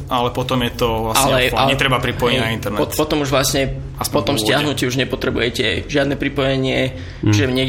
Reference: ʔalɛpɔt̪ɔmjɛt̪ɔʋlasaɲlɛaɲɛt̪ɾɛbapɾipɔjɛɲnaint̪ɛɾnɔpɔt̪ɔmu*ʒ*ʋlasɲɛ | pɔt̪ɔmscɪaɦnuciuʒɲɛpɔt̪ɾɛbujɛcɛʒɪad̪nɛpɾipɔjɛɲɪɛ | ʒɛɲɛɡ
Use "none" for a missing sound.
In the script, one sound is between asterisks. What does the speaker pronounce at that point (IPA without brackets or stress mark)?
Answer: ʒ